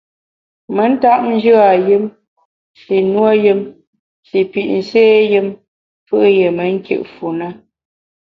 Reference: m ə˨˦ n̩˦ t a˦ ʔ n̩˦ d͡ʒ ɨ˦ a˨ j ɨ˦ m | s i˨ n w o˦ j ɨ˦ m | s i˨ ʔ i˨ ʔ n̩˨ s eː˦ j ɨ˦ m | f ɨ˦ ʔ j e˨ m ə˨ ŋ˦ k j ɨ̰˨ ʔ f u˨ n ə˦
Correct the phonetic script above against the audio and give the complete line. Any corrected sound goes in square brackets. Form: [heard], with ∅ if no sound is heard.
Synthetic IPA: m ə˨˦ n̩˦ t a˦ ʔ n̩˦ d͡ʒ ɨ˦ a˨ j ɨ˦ m | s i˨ n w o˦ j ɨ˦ m | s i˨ [p] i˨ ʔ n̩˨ s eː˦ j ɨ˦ m | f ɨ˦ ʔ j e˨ m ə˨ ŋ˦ k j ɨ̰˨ ʔ f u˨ n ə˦